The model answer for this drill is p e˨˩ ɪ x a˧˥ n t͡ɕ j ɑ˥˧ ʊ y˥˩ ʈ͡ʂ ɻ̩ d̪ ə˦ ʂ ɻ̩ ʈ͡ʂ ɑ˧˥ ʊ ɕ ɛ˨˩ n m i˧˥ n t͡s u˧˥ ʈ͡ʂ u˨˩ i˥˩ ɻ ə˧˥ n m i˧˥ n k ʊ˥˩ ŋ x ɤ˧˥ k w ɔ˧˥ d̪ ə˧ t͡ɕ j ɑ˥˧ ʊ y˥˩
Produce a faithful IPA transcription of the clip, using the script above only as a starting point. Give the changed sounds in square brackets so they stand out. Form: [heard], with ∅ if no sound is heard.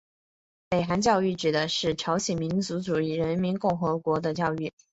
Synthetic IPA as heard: p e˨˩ ɪ x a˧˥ n t͡ɕ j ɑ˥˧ ʊ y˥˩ ʈ͡ʂ ɻ̩ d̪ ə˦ ʂ ɻ̩ [ʈ͡ʂʰ] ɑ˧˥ ʊ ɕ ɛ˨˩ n m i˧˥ n t͡s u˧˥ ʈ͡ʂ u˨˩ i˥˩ ɻ ə˧˥ n m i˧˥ n k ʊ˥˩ ŋ x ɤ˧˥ k w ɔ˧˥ d̪ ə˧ t͡ɕ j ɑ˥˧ ʊ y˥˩

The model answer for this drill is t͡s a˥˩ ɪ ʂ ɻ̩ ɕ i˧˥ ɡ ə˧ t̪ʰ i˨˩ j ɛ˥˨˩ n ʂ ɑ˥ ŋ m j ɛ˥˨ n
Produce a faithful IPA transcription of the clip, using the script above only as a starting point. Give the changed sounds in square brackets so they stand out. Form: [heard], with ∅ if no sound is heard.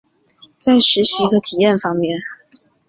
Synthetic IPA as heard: t͡s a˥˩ ɪ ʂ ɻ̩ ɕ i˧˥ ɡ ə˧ t̪ʰ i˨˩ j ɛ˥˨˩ n [f] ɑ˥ ŋ m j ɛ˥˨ n

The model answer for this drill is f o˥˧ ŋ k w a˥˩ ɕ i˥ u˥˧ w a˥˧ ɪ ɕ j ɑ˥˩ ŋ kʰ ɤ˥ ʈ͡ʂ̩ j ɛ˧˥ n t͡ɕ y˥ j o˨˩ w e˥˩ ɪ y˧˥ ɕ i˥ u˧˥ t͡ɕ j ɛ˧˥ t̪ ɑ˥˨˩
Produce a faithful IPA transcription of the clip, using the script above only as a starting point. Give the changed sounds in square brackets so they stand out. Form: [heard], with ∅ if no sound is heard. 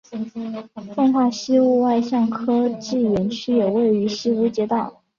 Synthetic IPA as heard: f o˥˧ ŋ [x] w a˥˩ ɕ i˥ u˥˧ w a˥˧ ɪ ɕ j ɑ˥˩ ŋ kʰ ɤ˥ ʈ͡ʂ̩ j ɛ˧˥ n [t͡ɕʰ] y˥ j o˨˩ w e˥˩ ɪ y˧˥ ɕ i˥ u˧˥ t͡ɕ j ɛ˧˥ t̪ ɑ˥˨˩

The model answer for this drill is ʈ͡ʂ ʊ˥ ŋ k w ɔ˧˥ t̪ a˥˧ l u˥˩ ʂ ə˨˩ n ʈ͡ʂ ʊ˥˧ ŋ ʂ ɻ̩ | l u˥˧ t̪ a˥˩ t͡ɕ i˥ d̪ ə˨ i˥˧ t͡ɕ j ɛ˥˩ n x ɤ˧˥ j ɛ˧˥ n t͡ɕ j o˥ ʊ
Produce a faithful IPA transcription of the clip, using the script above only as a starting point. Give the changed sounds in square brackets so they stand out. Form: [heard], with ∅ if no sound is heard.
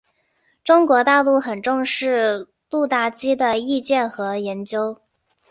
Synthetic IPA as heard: ʈ͡ʂ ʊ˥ ŋ k w ɔ˧˥ t̪ a˥˧ l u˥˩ [x] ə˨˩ n ʈ͡ʂ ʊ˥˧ ŋ ʂ ɻ̩ | l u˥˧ t̪ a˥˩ t͡ɕ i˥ d̪ ə˨ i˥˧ t͡ɕ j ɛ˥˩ n x ɤ˧˥ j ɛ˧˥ n t͡ɕ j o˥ ʊ

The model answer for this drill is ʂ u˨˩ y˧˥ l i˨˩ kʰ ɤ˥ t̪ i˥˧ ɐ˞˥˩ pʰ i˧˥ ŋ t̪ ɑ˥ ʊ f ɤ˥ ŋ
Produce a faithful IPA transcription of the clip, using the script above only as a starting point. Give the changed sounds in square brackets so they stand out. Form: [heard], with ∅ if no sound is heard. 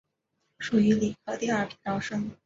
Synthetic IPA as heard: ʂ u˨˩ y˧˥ l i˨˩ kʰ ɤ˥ t̪ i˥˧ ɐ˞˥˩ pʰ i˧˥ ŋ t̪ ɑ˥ ʊ [ʂ] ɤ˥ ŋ

